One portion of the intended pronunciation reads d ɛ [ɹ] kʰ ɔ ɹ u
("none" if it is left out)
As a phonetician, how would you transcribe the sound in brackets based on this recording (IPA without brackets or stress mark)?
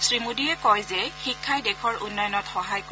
none